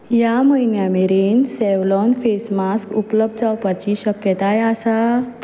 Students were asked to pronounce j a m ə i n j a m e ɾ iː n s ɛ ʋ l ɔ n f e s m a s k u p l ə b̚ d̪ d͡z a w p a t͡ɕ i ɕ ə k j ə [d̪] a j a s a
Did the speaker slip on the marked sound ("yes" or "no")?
yes